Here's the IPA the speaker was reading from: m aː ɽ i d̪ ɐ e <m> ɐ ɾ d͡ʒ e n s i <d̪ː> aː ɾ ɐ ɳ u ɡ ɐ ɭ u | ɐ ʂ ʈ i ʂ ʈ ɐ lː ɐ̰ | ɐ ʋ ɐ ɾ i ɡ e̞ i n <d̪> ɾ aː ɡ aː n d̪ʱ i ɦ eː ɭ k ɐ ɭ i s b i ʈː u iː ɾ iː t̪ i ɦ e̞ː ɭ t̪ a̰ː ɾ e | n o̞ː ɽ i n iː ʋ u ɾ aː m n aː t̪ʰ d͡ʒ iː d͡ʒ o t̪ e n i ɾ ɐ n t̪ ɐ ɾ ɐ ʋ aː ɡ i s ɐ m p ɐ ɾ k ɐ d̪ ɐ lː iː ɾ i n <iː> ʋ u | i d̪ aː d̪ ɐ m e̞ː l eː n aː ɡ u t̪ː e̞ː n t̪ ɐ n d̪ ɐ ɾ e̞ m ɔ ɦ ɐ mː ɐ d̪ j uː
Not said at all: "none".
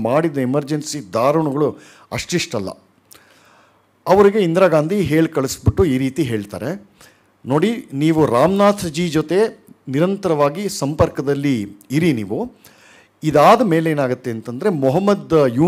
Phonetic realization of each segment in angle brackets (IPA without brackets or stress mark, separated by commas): m, d̪, d̪, iː